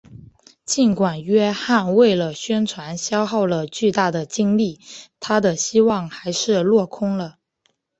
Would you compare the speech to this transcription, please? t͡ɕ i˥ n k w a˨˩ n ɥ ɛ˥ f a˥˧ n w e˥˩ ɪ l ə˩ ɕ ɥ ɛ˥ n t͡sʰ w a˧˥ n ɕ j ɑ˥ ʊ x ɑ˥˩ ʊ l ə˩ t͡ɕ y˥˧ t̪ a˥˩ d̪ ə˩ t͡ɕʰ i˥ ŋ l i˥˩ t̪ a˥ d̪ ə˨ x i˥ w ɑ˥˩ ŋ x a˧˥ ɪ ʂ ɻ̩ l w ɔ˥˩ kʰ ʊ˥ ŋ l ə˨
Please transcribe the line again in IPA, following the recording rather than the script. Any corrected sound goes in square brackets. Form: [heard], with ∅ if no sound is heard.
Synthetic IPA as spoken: t͡ɕ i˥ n k w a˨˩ n ɥ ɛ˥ [x] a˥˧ n w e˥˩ ɪ l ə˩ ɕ ɥ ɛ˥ n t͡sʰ w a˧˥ n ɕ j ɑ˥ ʊ x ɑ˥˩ ʊ l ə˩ t͡ɕ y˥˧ t̪ a˥˩ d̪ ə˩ [t͡ɕ] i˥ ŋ l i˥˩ [t̪ʰ] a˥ d̪ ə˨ [ɕ] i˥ w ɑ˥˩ ŋ x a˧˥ ɪ ʂ ɻ̩ l w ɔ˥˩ kʰ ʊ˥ ŋ l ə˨

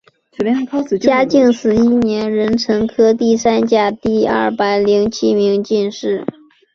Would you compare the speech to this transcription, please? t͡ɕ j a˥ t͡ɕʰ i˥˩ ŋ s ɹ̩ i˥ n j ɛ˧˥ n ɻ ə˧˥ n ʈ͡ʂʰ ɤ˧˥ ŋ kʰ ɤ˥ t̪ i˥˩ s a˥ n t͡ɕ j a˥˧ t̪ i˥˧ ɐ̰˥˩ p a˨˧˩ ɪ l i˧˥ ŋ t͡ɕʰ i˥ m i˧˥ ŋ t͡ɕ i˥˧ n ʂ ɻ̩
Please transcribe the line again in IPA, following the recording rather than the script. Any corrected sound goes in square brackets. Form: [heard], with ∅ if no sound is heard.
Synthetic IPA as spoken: t͡ɕ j a˥ [t͡ɕ] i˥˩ ŋ s ɹ̩ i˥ n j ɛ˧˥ n ɻ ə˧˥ n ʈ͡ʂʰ ɤ˧˥ ŋ kʰ ɤ˥ t̪ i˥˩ s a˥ n t͡ɕ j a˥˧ t̪ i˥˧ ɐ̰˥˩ p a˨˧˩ ɪ l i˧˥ ŋ t͡ɕʰ i˥ m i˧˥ ŋ t͡ɕ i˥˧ n ʂ ɻ̩

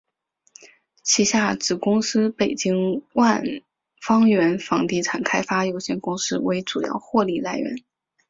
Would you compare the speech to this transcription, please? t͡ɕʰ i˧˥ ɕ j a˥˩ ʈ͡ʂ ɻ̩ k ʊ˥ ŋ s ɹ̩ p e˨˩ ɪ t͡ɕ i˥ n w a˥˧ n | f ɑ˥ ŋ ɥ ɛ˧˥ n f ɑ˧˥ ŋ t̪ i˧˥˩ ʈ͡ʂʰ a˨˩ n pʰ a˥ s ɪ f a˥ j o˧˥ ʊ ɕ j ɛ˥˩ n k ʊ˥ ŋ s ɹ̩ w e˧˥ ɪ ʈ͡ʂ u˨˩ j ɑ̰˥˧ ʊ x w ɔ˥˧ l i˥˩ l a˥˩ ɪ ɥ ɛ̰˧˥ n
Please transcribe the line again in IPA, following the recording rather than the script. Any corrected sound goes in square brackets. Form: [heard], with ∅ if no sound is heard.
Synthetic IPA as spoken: t͡ɕʰ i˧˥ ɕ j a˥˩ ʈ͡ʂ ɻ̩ k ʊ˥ ŋ s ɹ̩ p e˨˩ ɪ t͡ɕ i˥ [ŋ] w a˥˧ n | f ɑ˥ ŋ ɥ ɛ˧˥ n f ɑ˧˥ ŋ t̪ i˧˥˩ ʈ͡ʂʰ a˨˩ n [kʰ] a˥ [∅] ɪ f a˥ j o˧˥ ʊ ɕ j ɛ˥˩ n k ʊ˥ ŋ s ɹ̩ w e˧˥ ɪ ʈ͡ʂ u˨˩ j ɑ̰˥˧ ʊ x w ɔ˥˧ l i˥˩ l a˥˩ ɪ ɥ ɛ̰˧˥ n

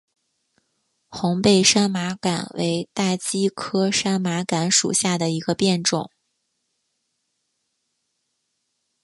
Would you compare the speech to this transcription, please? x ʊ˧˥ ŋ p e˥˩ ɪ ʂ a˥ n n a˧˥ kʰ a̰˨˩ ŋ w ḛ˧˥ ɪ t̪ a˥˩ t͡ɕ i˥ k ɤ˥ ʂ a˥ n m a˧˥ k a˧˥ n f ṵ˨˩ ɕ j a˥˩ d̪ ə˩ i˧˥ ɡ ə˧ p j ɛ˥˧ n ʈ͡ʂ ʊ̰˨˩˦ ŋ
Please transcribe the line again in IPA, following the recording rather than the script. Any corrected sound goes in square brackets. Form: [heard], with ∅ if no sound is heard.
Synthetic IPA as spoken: x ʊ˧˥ ŋ p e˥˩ ɪ ʂ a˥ n [m] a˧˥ [k] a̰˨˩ [n] w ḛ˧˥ ɪ t̪ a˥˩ t͡ɕ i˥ [kʰ] ɤ˥ ʂ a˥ n m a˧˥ k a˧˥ n [ʂ] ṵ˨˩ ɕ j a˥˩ d̪ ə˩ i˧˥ ɡ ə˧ p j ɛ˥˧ n ʈ͡ʂ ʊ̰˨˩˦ ŋ

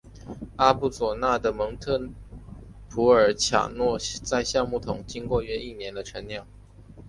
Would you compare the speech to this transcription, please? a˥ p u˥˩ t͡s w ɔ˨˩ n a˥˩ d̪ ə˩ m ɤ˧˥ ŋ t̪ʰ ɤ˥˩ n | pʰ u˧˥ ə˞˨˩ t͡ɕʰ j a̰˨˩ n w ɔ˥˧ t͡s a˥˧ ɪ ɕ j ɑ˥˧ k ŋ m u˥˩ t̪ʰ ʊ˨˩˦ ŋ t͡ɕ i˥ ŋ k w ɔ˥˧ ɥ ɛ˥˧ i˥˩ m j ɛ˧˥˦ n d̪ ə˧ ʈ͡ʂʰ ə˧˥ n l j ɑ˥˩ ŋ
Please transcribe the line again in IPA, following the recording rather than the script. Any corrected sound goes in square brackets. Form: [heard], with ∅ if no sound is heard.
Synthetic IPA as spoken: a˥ p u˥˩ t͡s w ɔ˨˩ n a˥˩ d̪ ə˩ m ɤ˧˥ ŋ t̪ʰ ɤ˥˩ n | pʰ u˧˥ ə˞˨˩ t͡ɕʰ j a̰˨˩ n w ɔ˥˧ t͡s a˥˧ ɪ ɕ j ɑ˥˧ [∅] ŋ m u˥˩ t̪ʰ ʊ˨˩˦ ŋ t͡ɕ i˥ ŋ k w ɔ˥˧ ɥ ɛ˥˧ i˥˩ [n] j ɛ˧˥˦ n d̪ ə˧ ʈ͡ʂʰ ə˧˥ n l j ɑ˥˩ ŋ

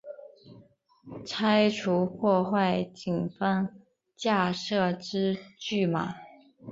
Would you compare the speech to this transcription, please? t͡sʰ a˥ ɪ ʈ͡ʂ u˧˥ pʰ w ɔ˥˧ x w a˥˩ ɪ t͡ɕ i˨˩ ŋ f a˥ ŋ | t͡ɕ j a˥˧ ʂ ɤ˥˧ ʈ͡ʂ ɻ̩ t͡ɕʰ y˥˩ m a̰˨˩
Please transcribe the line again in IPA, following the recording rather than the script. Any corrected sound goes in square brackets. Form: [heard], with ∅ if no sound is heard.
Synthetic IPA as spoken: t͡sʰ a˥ ɪ [ʈ͡ʂʰ] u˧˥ pʰ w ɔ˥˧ x w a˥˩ ɪ t͡ɕ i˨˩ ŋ f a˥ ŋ | t͡ɕ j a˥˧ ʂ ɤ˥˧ ʈ͡ʂ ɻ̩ [t͡ɕ] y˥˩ m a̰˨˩

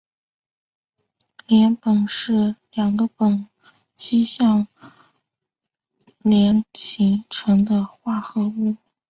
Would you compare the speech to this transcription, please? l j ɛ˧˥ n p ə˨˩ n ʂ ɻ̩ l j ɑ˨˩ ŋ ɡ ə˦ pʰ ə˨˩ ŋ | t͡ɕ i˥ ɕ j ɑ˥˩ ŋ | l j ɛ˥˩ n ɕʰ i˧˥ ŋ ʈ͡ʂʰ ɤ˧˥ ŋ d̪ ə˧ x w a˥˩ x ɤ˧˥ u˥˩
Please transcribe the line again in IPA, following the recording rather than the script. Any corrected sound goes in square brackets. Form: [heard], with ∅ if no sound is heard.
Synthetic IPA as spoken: l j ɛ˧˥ n p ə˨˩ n ʂ ɻ̩ l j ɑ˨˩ ŋ ɡ ə˦ [p] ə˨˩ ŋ | t͡ɕ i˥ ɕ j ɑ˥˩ ŋ | l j [ɛ˧˥] n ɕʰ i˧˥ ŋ ʈ͡ʂʰ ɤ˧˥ ŋ d̪ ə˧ x w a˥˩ x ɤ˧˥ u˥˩

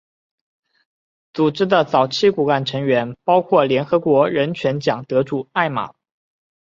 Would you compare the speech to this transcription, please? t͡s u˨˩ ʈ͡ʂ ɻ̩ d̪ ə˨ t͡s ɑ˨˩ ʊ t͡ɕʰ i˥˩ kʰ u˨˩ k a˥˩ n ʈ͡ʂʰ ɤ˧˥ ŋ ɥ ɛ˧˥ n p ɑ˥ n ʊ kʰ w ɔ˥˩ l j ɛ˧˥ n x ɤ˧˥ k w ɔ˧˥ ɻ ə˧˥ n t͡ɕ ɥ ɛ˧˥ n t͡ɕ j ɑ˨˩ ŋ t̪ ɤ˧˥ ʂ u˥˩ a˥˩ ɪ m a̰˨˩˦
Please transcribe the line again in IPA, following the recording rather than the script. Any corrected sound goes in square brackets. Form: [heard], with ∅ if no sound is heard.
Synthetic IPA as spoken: t͡s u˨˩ ʈ͡ʂ ɻ̩ d̪ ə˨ t͡s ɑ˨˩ ʊ t͡ɕʰ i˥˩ [k] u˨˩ k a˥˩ n ʈ͡ʂʰ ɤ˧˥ ŋ ɥ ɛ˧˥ n p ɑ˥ [∅] ʊ kʰ w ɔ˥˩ l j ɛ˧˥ n x ɤ˧˥ k w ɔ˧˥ ɻ ə˧˥ n [t͡ɕʰ] ɥ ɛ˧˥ n t͡ɕ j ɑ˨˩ ŋ t̪ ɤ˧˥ [ʈ͡ʂ] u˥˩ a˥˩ ɪ m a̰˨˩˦

